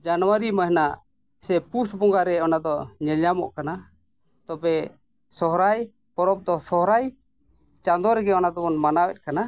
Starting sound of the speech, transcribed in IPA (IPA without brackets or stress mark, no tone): d͡ʒ